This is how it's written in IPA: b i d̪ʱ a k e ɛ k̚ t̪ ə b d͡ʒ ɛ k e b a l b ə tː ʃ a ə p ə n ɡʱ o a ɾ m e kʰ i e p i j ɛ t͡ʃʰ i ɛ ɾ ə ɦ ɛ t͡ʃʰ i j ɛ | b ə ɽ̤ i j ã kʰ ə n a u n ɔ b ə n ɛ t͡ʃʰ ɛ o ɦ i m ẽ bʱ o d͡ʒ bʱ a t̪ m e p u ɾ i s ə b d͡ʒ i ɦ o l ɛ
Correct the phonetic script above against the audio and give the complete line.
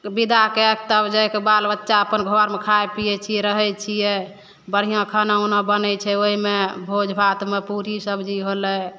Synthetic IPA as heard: b i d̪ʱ a k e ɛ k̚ t̪ ə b d͡ʒ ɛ k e b a l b ə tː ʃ a ə p ə n ɡʱ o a ɾ m e kʰ a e p i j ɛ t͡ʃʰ i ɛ ɾ ə ɦ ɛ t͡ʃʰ i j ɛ | b ə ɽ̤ i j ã kʰ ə n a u n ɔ b ə n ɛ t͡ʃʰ ɛ o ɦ i m e bʱ o d͡ʒ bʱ a t̪ m e p u ɾ i s ə b d͡ʒ i ɦ o l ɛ